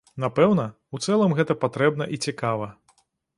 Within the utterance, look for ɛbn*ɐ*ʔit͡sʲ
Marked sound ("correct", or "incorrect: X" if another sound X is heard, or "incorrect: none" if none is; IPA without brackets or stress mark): correct